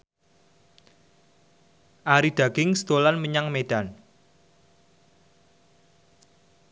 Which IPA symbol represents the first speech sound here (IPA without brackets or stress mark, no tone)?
ʔ